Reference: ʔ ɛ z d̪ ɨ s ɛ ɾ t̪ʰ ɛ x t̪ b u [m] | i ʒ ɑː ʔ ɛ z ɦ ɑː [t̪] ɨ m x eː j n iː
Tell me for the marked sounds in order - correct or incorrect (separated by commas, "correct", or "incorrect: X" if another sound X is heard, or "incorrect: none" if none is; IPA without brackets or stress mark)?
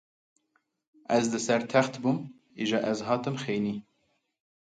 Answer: correct, correct